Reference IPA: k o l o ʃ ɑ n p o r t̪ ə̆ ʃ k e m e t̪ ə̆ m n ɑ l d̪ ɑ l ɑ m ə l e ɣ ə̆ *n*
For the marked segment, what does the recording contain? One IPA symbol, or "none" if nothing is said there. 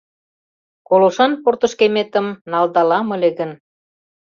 n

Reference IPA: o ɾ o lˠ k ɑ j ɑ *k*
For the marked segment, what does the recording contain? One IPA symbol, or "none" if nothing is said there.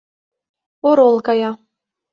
none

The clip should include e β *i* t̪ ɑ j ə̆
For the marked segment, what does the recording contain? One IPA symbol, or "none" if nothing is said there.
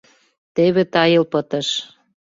e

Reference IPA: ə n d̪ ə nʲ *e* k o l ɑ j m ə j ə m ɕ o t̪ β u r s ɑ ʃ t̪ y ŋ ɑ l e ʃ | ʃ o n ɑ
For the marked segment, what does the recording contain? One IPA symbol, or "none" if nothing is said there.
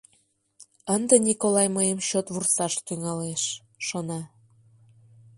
i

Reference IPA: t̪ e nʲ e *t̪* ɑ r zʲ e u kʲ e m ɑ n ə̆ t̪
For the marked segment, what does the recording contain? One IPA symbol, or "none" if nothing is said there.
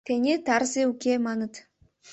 t̪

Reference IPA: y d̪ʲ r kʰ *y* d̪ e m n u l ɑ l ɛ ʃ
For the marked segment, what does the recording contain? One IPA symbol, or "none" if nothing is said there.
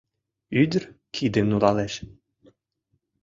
i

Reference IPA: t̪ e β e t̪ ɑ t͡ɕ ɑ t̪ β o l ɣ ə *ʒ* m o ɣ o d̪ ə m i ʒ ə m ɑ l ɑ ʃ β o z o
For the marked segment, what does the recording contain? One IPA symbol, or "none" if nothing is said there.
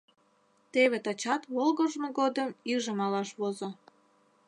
ʒ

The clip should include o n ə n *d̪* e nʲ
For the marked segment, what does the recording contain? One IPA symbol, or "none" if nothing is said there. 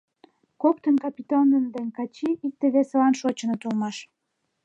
d̪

